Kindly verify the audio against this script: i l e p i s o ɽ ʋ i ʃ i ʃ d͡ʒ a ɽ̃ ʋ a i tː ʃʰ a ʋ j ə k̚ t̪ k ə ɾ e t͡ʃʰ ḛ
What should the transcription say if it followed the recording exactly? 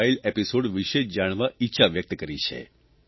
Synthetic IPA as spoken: i l e p i s o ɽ ʋ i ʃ e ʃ d͡ʒ a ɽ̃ ʋ a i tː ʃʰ a ʋ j ə k̚ t̪ k ə ɾ i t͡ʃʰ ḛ